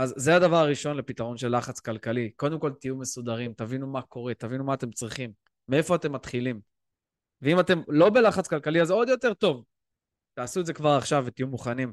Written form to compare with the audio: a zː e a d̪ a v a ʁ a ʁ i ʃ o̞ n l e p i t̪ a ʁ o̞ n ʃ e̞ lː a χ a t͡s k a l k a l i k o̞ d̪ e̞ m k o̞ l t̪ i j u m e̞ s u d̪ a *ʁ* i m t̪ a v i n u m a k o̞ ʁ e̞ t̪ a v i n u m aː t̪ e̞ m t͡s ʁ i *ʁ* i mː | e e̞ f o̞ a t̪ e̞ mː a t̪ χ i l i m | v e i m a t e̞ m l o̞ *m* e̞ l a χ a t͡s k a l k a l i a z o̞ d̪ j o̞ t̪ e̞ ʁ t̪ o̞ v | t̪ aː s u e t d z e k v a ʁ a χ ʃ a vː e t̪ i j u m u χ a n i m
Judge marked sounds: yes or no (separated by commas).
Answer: yes, no, no